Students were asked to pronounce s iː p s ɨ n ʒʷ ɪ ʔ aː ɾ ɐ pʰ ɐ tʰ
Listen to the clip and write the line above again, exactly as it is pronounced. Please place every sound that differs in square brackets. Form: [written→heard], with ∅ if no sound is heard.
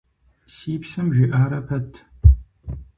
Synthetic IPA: s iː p s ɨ [n→m] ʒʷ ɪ ʔ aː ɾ ɐ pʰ ɐ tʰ